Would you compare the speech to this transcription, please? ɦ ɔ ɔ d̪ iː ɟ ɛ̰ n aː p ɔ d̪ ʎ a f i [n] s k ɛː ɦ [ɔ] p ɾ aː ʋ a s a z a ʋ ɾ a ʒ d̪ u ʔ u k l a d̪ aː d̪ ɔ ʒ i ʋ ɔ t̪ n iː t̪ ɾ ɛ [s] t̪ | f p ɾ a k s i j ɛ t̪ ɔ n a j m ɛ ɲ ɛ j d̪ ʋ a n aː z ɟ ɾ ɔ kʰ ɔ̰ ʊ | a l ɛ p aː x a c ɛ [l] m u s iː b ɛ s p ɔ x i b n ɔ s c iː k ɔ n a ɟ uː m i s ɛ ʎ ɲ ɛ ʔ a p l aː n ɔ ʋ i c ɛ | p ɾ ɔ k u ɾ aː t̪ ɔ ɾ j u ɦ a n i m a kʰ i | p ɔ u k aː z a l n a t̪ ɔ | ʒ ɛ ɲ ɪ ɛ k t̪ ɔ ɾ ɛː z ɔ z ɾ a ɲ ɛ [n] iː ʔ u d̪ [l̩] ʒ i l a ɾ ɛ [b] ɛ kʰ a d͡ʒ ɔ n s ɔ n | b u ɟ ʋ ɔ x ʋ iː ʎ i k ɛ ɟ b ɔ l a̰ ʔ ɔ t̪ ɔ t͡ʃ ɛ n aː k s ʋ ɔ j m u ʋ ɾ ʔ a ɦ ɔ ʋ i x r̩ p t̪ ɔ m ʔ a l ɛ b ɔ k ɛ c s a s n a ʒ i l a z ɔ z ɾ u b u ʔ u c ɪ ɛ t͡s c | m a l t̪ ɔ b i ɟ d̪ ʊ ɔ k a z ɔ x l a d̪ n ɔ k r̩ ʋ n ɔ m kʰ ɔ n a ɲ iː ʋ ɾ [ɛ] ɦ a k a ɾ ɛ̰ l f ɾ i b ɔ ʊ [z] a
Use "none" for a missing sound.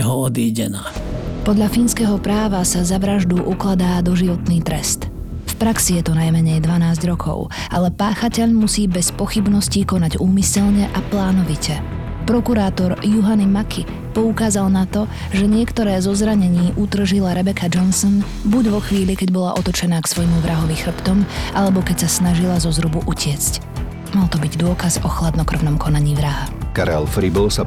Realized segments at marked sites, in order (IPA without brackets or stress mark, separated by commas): n, ɔ, s, ʎ, ɲ, r̩, b, a, s